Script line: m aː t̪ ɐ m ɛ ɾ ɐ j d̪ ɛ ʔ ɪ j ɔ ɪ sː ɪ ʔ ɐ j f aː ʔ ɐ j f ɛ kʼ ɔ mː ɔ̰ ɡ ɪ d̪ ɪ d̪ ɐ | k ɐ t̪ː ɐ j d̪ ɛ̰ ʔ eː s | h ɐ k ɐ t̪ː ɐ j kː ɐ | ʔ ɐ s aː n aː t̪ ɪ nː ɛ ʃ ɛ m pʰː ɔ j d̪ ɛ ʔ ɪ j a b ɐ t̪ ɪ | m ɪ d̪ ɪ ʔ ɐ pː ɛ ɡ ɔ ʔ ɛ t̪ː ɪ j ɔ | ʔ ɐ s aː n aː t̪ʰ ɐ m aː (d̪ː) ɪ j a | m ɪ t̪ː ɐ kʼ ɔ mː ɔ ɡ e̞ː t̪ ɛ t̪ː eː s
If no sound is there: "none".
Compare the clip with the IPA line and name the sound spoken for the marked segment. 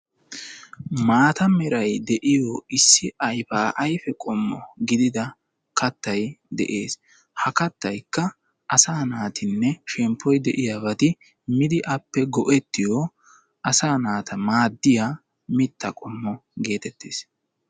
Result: d̪ː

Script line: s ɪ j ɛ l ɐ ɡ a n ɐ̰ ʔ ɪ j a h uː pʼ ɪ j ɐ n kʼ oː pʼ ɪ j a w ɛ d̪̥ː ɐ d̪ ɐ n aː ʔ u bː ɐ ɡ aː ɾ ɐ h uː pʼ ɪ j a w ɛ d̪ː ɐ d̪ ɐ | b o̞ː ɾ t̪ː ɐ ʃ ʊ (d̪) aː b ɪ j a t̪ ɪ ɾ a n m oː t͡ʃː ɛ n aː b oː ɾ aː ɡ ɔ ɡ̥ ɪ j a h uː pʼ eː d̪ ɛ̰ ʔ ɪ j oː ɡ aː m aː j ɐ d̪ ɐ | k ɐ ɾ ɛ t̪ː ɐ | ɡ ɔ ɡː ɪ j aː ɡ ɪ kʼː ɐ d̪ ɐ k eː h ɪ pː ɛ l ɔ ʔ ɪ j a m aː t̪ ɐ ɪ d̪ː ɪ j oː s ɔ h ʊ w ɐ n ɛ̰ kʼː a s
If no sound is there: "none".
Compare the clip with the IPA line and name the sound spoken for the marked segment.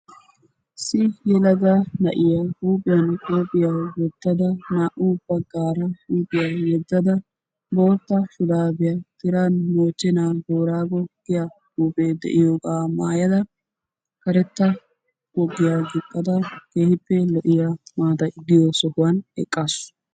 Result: d̪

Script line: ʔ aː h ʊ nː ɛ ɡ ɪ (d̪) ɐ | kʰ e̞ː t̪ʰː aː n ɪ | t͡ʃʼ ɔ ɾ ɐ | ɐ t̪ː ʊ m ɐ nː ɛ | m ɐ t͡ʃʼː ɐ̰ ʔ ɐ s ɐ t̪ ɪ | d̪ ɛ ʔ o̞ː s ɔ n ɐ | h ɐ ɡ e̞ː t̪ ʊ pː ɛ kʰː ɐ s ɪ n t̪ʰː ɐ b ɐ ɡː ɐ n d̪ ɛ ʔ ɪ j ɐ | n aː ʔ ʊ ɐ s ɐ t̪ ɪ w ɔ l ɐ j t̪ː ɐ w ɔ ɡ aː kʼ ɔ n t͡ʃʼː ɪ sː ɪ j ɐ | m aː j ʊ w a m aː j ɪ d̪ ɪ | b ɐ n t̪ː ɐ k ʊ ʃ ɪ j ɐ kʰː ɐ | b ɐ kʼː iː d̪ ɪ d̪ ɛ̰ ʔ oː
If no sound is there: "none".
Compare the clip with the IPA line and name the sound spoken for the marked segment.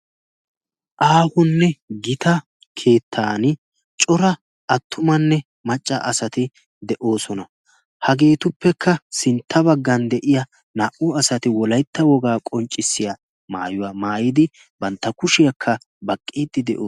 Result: t̪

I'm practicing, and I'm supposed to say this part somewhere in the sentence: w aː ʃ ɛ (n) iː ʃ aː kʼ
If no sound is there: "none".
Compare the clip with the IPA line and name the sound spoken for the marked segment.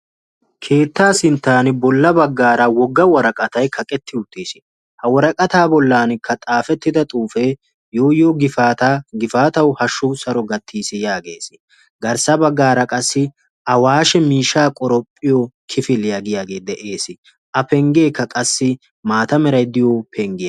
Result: m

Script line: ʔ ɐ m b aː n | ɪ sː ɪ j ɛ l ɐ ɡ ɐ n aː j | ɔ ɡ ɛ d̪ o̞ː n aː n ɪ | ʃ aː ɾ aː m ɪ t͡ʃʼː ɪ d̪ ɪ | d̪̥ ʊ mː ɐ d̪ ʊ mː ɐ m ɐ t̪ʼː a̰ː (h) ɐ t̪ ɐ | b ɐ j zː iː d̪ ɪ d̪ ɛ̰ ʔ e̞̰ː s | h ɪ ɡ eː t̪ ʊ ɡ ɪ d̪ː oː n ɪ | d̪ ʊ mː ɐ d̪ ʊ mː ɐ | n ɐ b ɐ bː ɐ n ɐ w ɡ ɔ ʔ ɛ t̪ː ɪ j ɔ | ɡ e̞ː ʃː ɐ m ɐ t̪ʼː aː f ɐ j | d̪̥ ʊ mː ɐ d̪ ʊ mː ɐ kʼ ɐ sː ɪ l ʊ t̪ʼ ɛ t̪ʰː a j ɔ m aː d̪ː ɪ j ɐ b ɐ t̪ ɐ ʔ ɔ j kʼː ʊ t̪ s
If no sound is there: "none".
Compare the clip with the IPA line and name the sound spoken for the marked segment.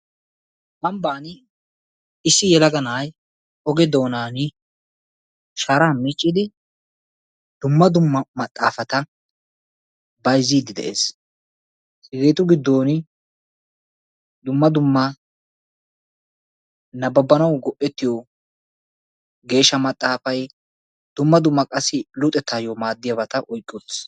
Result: f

